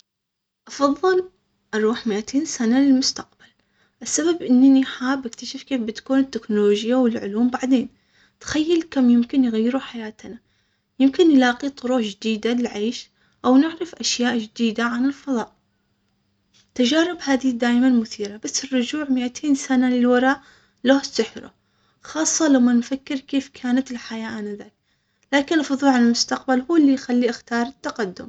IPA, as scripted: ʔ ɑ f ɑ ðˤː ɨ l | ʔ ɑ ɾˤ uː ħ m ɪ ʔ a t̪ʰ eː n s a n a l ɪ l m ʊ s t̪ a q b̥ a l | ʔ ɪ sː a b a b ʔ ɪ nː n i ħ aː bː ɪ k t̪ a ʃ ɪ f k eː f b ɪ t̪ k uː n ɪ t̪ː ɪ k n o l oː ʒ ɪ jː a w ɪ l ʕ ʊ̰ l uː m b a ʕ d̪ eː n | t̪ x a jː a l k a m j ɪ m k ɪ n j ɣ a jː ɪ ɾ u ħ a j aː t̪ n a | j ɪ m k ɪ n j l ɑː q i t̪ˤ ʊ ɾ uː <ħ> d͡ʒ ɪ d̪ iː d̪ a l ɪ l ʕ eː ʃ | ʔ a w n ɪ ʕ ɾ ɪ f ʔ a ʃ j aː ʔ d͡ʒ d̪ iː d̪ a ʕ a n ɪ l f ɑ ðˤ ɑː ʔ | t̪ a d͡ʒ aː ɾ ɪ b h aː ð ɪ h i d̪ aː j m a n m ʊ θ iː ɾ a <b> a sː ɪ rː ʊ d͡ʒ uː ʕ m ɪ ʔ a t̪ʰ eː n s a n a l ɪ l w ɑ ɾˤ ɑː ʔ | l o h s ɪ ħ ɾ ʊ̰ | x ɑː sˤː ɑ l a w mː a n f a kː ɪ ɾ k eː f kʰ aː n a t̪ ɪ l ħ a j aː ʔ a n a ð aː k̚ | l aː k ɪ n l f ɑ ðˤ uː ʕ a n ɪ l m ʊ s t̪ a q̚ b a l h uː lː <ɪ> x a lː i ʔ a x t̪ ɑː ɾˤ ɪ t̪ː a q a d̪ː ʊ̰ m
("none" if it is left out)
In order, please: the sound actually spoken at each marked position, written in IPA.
ħ, b, i

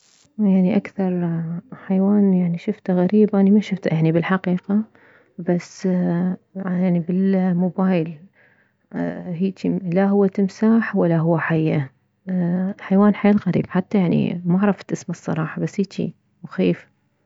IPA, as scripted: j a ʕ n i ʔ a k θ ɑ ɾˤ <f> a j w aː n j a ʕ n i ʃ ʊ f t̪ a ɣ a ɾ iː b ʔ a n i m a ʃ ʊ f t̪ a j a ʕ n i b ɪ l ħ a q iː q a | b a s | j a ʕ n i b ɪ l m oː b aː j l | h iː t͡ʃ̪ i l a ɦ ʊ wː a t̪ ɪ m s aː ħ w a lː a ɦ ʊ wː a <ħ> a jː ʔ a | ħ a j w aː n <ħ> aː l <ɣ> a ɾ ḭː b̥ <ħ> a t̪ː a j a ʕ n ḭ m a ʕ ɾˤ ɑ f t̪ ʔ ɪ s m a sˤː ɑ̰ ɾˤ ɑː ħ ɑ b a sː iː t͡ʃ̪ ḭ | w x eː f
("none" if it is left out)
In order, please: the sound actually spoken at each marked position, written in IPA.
ħ, ħ, ħ, ɣ, ħ

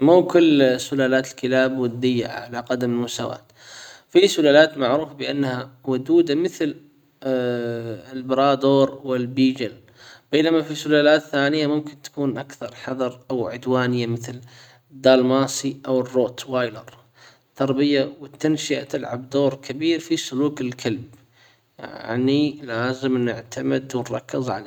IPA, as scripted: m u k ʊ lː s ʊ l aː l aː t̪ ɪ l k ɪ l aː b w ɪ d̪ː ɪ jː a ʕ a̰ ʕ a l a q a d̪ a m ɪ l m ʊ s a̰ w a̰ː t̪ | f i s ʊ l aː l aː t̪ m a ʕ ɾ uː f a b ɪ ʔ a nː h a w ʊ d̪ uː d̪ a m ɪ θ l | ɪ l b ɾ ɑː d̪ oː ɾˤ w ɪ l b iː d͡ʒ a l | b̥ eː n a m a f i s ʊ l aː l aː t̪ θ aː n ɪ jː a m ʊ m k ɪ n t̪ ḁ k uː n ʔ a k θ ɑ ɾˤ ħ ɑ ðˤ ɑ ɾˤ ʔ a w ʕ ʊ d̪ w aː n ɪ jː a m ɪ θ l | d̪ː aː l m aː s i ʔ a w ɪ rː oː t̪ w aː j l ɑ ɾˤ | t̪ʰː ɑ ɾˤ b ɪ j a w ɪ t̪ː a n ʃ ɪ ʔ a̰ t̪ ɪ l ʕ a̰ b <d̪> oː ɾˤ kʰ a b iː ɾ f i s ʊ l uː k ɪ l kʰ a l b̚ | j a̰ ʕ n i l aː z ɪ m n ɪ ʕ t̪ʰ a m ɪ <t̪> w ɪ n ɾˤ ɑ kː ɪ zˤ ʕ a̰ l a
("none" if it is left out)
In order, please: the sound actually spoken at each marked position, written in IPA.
d̪, d̪

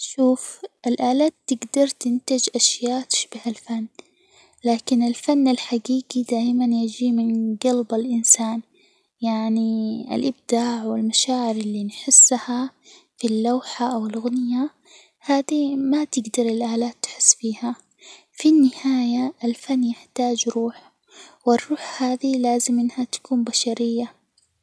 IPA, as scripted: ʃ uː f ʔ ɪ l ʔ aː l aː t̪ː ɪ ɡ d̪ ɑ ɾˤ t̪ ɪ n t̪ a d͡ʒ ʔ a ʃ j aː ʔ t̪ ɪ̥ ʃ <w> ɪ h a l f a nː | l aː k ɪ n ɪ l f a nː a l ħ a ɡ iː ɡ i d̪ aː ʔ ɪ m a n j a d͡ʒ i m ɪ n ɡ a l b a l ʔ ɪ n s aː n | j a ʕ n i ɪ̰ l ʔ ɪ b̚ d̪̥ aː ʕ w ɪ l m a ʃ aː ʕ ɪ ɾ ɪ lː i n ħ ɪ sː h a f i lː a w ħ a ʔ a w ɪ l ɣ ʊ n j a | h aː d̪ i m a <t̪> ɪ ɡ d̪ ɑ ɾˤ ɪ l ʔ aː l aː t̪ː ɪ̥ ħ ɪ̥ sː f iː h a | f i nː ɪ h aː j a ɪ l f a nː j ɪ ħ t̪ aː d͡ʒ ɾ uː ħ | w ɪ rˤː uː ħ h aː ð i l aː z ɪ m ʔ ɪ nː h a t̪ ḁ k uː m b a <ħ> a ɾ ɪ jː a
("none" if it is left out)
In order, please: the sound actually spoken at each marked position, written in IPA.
b, t̪, ʃ

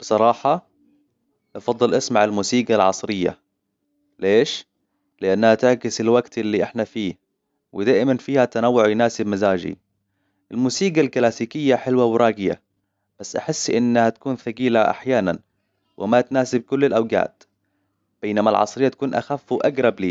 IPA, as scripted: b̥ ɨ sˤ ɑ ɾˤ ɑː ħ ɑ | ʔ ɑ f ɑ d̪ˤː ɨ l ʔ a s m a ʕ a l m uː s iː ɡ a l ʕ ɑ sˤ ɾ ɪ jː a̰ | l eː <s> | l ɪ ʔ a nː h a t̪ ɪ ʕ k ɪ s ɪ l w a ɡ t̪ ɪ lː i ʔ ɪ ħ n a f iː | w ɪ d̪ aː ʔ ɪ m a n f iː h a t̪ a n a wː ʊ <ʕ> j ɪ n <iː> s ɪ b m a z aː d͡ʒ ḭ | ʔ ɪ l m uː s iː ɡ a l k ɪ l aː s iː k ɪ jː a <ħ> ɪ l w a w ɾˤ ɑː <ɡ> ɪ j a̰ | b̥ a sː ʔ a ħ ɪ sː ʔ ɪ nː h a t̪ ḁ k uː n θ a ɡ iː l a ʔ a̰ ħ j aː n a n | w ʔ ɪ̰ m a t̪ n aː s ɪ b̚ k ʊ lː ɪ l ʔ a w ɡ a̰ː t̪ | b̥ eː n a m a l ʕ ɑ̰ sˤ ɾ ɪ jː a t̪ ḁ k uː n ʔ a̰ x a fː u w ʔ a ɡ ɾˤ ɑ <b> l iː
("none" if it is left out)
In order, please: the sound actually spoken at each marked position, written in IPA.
ʃ, ʕ, aː, ħ, ɡ, b

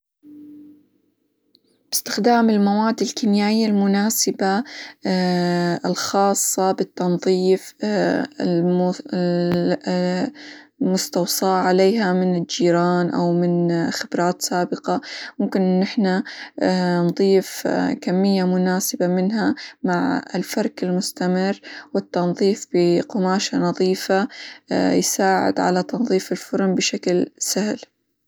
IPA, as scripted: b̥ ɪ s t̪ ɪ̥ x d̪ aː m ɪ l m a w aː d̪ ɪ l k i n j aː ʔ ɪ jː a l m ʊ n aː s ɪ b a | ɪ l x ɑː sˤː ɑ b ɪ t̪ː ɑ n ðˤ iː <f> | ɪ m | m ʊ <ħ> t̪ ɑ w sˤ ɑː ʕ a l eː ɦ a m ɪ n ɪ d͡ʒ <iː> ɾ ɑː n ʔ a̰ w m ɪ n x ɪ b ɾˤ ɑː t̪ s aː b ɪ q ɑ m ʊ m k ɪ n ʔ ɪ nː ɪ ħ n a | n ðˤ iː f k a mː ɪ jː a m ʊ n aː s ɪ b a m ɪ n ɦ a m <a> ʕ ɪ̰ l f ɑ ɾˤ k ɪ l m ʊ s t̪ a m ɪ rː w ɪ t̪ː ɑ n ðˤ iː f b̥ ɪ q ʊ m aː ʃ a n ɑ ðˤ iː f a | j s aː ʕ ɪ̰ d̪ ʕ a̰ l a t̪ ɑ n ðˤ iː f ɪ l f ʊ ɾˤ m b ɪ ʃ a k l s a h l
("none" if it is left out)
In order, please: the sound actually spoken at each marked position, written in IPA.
f, s, iː, a

